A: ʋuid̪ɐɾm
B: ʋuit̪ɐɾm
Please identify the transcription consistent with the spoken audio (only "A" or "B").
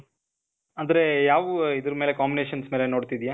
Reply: A